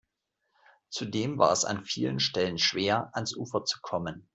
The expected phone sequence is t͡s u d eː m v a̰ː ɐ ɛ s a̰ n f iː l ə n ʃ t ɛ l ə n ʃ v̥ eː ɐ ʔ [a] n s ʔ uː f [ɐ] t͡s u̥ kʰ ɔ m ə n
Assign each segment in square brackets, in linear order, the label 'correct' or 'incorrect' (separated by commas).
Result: correct, correct